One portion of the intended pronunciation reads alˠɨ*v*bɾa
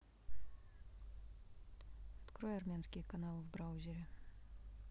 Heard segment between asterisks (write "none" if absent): v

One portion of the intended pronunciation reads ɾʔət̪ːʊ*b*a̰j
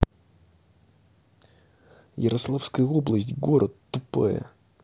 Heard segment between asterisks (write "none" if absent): p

